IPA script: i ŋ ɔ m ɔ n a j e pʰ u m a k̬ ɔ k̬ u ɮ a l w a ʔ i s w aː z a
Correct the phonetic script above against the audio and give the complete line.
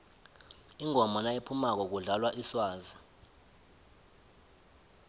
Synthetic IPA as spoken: i ŋ ɔ m ɔ n a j e pʰ u m a k̬ ɔ k̬ u ɮ a l w a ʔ i s w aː z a